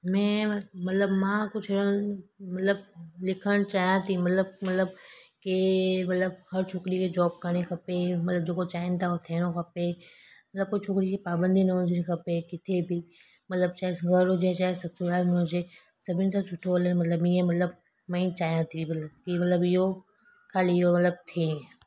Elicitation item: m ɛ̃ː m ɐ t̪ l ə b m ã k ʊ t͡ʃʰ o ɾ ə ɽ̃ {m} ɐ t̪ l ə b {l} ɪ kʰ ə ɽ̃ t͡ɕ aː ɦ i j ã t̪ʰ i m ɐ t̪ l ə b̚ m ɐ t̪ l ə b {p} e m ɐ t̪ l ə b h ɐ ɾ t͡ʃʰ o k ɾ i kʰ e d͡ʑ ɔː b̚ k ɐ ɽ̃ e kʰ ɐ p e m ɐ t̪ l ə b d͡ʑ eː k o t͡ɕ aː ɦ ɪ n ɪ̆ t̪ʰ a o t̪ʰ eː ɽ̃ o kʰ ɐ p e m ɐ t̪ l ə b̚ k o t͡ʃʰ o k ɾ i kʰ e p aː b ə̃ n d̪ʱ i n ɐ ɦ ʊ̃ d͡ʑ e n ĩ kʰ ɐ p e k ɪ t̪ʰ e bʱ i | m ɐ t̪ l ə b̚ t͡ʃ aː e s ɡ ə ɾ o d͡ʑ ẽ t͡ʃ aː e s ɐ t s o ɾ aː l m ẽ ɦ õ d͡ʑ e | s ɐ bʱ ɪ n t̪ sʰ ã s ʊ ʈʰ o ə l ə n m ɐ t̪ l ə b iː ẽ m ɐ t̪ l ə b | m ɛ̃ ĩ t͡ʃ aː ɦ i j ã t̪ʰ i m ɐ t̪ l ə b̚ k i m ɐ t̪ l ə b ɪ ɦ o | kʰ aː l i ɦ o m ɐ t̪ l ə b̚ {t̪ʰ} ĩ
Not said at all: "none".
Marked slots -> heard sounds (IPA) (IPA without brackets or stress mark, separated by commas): m, l, k, t̪ʰ